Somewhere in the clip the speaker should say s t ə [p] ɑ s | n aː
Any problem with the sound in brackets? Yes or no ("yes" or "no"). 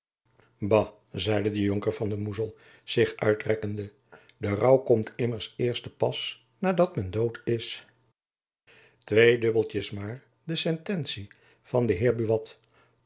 no